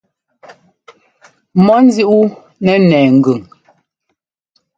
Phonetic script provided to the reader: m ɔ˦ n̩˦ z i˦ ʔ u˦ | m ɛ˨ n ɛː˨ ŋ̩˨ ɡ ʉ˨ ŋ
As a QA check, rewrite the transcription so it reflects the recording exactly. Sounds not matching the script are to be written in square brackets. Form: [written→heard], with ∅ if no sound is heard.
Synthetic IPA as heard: m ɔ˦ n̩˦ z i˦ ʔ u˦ | [m→n] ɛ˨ n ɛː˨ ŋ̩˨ ɡ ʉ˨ ŋ